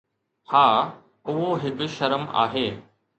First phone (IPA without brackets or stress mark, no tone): h